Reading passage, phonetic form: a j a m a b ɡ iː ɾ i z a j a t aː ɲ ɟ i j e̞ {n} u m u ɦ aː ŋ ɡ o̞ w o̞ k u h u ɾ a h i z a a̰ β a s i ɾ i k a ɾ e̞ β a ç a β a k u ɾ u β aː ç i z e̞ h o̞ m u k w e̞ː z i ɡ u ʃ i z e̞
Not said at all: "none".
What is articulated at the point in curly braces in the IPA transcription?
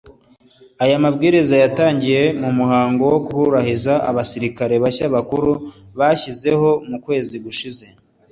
m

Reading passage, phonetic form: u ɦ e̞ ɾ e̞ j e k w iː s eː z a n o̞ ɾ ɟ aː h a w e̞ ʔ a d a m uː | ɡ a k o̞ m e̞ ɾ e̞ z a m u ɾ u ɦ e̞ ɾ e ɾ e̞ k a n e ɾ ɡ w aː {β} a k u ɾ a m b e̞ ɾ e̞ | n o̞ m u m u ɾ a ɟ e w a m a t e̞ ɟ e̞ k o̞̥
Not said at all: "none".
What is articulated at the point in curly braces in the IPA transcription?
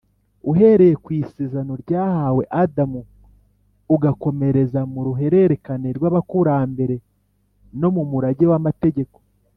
β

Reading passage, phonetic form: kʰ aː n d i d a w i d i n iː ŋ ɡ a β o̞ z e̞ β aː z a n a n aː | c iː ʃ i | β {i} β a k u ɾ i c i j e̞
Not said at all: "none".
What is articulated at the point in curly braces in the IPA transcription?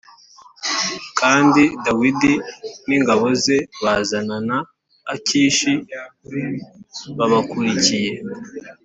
a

